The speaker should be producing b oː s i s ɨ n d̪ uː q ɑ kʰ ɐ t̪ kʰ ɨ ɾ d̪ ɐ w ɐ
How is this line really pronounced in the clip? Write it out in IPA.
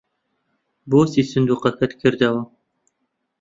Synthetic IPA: b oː s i s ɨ n d̪ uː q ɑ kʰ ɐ t̪ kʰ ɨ ɾ d̪ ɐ w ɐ